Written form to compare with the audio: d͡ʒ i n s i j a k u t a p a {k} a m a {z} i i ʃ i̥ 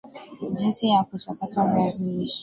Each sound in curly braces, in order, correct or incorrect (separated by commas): incorrect, correct